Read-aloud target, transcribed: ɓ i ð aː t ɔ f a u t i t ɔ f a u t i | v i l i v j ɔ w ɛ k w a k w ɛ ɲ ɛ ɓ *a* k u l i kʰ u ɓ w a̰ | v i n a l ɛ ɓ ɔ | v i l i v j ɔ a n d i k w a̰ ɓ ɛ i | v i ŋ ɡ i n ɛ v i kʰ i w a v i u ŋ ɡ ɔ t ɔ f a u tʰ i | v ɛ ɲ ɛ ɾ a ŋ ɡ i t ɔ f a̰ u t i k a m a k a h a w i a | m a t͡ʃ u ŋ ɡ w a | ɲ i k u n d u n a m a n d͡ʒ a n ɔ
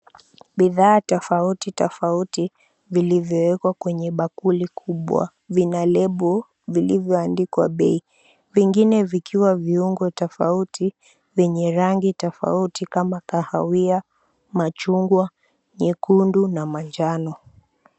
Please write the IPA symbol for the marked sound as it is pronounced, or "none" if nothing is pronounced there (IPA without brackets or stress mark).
a